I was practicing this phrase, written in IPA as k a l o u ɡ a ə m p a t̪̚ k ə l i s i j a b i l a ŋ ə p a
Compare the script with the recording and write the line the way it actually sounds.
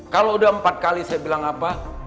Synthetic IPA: k a l o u d a ə m p a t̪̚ k a l i s a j a b i l a ŋ a p a